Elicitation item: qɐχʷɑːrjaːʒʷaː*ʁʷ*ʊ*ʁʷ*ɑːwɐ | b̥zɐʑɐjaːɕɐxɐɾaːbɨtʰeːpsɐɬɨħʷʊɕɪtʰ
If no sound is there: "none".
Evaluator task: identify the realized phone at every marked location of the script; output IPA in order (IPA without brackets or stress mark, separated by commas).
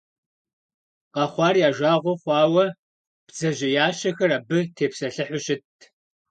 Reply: ʁʷ, χʷ